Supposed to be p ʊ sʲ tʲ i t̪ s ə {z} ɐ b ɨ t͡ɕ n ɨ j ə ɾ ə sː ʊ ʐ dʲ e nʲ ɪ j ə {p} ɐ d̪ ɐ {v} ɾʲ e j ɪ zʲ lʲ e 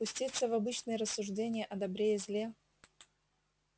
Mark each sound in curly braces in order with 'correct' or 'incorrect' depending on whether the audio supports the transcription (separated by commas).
incorrect, incorrect, incorrect